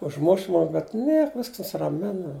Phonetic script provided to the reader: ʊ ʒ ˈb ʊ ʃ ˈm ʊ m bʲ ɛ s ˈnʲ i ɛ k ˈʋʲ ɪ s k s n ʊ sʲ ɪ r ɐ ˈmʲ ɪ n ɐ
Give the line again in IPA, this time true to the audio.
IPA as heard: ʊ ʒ ˈm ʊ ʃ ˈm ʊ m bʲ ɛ t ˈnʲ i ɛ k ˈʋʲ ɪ s k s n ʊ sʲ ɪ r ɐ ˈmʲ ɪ n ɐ